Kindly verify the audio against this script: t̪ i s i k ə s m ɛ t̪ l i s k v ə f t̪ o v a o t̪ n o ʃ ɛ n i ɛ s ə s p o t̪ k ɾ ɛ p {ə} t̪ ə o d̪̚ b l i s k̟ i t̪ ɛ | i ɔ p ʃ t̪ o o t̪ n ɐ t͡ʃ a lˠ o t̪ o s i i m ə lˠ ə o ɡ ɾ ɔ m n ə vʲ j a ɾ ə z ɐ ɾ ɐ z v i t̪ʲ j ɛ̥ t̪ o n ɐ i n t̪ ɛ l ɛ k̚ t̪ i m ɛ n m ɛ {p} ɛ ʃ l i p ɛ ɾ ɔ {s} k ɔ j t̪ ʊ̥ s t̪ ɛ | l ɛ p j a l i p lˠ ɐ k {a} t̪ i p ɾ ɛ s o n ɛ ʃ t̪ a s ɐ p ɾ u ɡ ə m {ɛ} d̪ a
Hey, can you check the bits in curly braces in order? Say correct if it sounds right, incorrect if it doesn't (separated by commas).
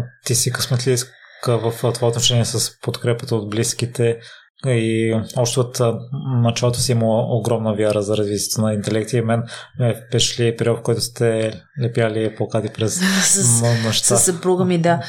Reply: correct, correct, incorrect, correct, incorrect